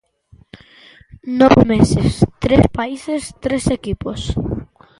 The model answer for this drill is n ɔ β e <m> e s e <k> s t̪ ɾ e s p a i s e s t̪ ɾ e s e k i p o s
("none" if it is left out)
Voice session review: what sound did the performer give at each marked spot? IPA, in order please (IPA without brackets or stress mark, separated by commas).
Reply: m, none